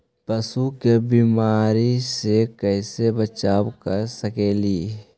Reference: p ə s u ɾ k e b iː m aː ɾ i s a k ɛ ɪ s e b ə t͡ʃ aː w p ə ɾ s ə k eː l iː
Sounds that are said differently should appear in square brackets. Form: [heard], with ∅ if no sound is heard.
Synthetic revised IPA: p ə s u [∅] k e b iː m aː ɾ i s [e] k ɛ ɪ s e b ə t͡ʃ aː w [k] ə ɾ s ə k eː l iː